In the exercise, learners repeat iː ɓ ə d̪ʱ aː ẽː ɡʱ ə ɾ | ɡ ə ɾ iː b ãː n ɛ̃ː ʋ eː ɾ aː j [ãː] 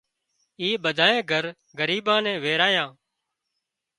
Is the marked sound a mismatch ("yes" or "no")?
no